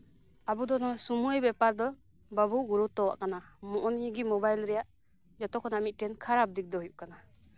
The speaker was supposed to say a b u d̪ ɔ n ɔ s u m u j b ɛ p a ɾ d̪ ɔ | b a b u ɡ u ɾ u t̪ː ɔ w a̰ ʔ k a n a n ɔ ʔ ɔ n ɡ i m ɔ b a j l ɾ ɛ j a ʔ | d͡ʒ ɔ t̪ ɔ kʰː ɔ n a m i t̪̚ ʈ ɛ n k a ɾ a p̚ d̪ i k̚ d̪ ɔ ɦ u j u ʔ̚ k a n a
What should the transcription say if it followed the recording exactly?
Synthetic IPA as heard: a b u d̪ ɔ n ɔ s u m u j b ɛ p a ɾ d̪ ɔ | b a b u ɡ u ɾ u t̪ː ɔ w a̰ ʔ k a n a m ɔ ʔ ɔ n ɡ i m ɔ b a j l ɾ ɛ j a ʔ | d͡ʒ ɔ t̪ ɔ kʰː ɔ n a m i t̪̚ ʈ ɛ n kʰ a ɾ a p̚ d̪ i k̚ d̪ ɔ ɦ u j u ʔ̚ k a n a